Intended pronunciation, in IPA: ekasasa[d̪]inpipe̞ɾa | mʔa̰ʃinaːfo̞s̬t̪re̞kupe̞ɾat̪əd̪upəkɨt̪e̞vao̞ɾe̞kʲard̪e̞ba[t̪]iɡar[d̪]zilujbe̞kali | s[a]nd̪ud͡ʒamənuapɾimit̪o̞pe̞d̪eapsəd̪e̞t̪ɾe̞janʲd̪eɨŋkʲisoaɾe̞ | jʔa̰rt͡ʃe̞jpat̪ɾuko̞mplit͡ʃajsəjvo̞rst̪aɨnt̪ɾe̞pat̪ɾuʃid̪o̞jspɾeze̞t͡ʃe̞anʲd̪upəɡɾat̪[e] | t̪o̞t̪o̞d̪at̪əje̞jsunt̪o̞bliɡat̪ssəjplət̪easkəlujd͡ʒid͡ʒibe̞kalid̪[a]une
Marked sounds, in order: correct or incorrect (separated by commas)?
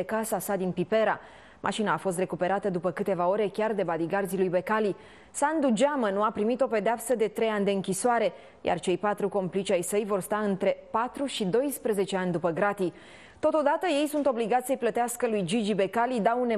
correct, incorrect, correct, correct, incorrect, correct